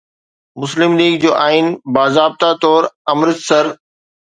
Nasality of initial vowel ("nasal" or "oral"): oral